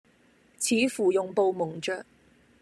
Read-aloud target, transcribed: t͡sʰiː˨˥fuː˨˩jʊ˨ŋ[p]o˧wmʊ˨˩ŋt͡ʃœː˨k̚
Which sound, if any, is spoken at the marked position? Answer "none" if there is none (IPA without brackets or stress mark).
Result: p